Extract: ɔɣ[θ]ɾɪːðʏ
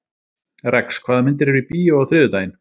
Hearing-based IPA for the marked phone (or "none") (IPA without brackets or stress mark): θ